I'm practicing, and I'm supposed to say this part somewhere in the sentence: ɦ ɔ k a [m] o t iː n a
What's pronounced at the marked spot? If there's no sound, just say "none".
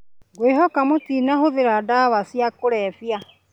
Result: m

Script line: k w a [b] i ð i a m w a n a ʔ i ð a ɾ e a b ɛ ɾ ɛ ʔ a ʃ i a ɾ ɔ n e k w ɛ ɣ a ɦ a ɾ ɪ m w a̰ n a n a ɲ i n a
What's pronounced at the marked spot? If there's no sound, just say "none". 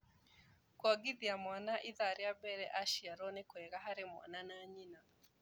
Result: ɡ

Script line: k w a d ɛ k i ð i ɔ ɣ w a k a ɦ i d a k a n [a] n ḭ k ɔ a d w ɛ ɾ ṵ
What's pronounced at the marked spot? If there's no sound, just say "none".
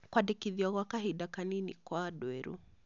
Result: i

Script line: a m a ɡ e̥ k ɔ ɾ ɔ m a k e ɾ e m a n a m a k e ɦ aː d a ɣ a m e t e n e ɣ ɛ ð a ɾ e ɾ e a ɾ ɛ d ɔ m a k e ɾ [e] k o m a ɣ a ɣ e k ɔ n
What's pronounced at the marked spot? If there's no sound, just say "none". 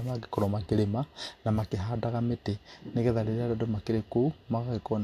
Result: e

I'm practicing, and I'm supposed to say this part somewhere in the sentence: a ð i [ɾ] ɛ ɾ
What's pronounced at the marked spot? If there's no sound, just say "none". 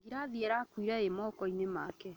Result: none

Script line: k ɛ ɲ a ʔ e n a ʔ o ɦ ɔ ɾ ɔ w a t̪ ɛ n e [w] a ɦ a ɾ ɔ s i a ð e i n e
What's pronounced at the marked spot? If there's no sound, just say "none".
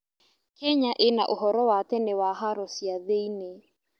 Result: w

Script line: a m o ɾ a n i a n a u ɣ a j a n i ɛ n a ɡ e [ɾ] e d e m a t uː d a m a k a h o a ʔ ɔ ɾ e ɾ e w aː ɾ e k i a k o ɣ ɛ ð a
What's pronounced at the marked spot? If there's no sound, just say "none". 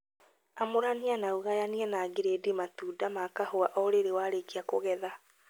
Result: ɾ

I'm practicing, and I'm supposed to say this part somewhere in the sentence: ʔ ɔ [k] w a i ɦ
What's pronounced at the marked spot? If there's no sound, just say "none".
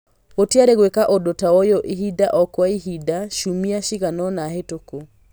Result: k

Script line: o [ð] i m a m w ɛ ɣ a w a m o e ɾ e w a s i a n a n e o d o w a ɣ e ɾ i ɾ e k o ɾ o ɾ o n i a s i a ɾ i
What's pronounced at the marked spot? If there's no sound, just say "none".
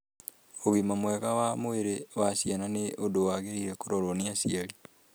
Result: ɣ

